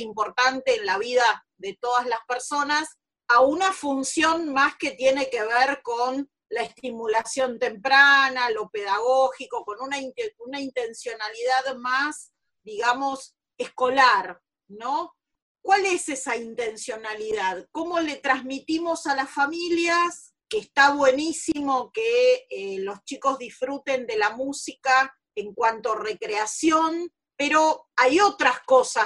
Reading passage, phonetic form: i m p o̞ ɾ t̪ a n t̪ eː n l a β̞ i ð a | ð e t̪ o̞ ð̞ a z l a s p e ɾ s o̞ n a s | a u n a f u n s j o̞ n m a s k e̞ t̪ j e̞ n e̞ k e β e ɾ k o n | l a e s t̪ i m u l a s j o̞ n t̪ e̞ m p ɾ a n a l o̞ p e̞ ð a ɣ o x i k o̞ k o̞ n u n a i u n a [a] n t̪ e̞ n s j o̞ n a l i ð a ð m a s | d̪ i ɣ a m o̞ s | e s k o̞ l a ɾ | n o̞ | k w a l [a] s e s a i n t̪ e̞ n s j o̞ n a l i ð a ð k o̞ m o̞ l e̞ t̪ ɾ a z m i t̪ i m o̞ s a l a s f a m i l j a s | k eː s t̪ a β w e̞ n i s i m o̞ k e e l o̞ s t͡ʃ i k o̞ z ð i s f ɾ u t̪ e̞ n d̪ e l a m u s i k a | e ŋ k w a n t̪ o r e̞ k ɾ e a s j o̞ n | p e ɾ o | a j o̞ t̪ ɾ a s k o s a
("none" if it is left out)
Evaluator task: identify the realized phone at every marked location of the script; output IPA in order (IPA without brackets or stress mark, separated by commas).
i, e